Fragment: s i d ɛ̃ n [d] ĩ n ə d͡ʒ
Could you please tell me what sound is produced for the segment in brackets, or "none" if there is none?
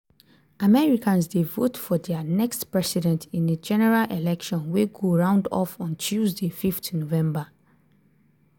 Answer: t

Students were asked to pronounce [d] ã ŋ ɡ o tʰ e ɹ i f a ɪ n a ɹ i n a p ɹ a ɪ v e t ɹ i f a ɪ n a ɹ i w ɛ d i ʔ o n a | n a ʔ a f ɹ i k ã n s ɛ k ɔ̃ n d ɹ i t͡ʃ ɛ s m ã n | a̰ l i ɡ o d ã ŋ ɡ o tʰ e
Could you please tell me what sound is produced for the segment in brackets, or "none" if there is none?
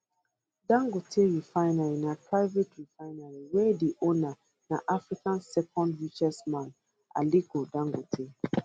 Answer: d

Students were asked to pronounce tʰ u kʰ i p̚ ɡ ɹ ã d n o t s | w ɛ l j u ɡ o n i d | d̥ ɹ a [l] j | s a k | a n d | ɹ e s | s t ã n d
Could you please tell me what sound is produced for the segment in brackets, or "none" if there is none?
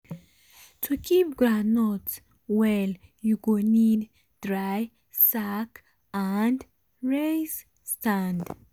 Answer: none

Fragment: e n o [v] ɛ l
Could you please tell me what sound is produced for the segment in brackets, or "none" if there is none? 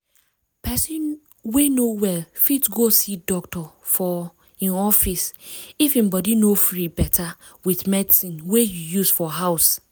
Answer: w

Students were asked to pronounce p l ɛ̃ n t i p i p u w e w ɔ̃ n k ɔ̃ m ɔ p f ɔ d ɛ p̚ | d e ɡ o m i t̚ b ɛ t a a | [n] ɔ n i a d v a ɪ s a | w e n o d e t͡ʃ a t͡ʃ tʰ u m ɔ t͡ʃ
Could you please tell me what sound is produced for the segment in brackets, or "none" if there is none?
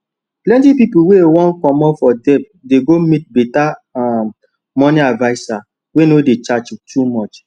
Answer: m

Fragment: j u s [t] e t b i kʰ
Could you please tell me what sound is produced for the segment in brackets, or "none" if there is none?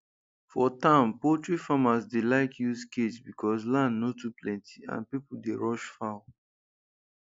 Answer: k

